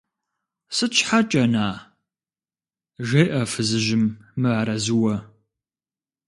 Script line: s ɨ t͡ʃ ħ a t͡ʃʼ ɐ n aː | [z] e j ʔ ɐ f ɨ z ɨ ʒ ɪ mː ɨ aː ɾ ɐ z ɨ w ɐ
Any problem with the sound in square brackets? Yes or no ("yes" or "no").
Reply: yes